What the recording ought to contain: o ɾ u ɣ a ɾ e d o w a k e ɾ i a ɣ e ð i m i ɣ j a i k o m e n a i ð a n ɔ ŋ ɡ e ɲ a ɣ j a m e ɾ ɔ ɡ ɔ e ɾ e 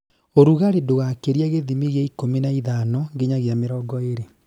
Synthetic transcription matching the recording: o ɾ u ɣ a ɾ e d o ɣ a k e ɾ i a ɣ e ð i m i ɣ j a i k o m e n a i ð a n ɔ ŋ ɡ e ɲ a ɣ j a m e ɾ ɔ ɡ ɔ e ɾ e